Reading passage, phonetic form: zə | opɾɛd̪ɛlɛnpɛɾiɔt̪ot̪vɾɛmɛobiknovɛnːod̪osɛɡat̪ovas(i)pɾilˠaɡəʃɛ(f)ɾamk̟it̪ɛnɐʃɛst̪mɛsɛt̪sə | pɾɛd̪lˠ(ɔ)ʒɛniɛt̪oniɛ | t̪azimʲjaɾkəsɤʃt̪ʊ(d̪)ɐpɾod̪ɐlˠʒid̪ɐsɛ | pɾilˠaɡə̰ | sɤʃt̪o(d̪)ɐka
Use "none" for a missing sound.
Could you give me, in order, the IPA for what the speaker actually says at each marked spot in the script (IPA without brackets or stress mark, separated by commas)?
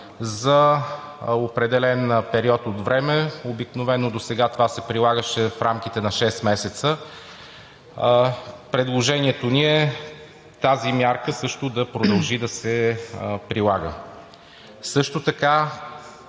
ɛ, f, o, d̪, t̪